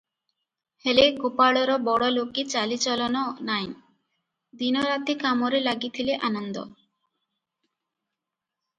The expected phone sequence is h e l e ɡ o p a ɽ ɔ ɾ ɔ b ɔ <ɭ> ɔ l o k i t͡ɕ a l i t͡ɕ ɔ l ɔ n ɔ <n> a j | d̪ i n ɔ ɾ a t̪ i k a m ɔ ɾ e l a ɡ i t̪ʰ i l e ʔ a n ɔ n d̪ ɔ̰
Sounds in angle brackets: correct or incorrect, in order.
incorrect: ɽ, correct

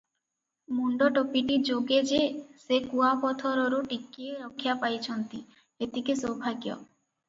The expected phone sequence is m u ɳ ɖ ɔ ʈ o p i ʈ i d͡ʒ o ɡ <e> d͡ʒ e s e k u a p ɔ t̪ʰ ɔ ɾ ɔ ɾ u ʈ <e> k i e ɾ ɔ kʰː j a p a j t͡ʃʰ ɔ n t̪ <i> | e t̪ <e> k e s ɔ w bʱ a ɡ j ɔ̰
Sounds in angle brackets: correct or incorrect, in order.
correct, incorrect: i, correct, incorrect: i

